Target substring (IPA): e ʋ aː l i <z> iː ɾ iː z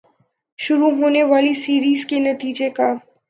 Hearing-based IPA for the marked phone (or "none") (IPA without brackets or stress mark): s